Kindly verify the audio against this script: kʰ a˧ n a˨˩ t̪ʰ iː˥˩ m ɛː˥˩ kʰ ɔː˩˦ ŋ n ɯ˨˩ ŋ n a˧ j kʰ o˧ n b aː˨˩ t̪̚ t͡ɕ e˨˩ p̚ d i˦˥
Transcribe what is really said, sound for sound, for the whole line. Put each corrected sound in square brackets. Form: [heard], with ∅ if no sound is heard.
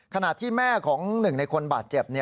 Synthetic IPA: kʰ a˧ n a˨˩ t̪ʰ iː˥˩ m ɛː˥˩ kʰ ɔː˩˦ ŋ n ɯ˨˩ ŋ n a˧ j kʰ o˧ n b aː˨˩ t̪̚ t͡ɕ e˨˩ p̚ [n] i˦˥